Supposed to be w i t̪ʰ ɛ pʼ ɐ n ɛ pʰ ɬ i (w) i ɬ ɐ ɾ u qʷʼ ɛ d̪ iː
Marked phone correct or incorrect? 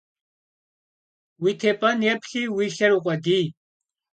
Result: correct